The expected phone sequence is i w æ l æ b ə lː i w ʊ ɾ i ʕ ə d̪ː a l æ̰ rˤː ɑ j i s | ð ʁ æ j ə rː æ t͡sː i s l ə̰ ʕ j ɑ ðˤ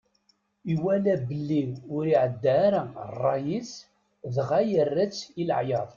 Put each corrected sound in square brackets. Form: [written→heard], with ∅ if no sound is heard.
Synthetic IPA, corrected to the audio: i w æ l æ b ə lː i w ʊ ɾ i ʕ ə d̪ː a [l→ɾ] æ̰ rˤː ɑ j i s | ð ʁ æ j ə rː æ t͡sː i [s→∅] l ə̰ ʕ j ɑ ðˤ